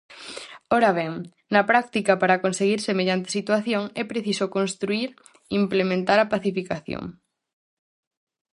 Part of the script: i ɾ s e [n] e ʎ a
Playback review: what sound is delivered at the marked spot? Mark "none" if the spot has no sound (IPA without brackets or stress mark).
m